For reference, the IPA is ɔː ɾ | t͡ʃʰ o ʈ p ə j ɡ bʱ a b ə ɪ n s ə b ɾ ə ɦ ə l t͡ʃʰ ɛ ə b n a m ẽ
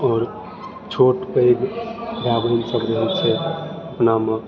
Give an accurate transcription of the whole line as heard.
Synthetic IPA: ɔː ɾ | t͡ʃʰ o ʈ p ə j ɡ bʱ a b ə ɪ n s ə b ɾ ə ɦ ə l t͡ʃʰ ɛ ə p n a m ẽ